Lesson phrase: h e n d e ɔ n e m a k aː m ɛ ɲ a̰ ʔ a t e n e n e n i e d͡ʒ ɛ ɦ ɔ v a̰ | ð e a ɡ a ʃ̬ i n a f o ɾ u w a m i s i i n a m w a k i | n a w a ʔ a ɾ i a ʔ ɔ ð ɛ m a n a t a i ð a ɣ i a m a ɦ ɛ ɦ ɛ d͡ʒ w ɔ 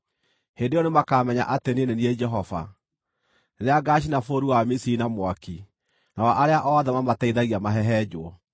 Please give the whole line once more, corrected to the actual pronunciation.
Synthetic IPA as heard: h e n d e ɔ n e m a k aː m ɛ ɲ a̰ ʔ a t e n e n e n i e d͡ʒ ɛ ɦ ɔ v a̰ | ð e a ɡ a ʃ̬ i n a f o ɾ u w a m i s i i n a m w a k i | n a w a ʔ a ɾ e a ʔ ɔ ð ɛ m a m a t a i ð a ɣ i a m a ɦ ɛ ɦ ɛ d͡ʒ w ɔ